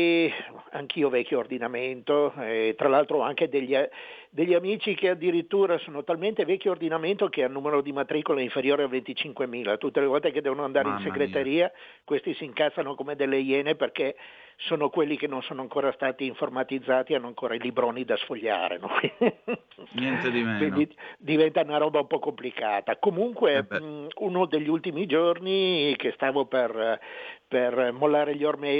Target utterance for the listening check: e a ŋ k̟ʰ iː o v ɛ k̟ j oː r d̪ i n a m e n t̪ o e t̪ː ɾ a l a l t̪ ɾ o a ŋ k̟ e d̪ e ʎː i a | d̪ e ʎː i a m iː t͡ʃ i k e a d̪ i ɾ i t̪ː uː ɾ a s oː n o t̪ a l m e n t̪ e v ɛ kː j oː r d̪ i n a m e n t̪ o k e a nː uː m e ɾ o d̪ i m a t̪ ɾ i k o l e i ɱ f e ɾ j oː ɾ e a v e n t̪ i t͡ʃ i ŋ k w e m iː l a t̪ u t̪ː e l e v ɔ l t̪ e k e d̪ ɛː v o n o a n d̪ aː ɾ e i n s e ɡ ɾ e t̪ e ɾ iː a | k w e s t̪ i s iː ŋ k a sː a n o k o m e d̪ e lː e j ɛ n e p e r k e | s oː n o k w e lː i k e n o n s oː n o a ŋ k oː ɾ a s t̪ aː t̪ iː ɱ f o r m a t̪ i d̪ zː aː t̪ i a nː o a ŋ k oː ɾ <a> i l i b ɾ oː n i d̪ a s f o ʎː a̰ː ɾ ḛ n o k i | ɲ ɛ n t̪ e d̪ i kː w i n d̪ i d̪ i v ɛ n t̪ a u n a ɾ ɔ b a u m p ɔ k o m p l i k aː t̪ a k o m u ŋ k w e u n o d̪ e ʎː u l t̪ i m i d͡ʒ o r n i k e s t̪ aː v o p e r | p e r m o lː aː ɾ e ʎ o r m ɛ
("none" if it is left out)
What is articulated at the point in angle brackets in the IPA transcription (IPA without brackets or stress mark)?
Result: a